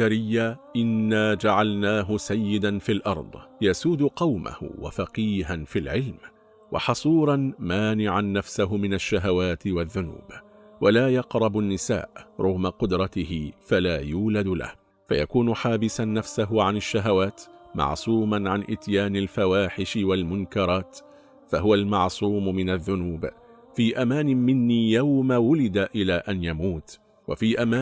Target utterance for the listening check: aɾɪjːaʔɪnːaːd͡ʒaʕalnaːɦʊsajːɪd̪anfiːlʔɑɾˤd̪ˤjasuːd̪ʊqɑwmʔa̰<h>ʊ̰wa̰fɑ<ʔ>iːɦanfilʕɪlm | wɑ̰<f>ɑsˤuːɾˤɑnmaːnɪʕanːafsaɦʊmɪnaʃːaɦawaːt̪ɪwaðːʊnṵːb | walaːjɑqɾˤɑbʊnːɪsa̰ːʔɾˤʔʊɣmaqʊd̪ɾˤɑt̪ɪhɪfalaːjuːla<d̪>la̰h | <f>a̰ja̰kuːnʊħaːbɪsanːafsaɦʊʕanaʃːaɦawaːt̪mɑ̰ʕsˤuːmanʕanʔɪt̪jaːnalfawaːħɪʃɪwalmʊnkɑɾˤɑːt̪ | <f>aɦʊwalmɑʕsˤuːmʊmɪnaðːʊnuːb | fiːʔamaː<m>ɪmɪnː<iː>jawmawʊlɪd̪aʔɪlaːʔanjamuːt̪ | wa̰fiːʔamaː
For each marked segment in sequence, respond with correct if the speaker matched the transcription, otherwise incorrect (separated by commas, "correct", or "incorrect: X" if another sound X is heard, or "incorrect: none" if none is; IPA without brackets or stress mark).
correct, incorrect: q, incorrect: ħ, correct, correct, correct, incorrect: n, correct